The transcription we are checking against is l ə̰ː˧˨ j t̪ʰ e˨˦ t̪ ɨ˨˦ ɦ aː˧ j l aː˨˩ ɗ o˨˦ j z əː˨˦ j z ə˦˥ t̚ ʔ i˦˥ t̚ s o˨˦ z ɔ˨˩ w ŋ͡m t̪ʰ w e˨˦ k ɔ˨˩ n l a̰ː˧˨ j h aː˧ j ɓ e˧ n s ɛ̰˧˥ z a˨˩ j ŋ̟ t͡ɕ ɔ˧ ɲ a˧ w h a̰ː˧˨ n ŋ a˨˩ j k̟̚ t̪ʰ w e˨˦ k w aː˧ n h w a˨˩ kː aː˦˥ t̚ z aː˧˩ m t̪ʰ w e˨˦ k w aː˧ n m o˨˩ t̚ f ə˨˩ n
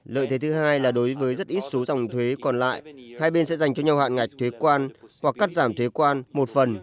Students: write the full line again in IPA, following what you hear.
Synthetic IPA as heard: l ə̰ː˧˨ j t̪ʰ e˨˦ t̪ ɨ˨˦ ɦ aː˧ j l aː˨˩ ɗ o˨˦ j v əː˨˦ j z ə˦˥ t̚ ʔ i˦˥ t̚ s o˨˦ z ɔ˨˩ w ŋ͡m t̪ʰ w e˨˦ k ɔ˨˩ n l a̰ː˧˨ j h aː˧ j ɓ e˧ n s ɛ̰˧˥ z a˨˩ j ŋ̟ t͡ɕ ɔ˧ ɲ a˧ w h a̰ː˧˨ n ŋ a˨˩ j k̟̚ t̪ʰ w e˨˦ k w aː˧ n h w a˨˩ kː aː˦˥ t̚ z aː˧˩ m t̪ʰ w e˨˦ k w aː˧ n m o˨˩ t̚ f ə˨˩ n